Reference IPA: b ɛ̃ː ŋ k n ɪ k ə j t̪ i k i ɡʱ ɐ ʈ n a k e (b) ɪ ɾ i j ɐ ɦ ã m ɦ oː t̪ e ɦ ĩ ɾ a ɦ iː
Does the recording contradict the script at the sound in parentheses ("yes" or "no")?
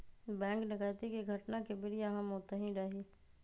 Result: no